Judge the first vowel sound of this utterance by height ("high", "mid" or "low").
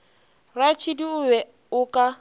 low